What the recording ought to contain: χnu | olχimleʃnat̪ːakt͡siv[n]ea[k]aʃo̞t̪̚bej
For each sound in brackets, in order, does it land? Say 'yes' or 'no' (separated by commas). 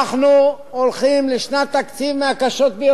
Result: no, yes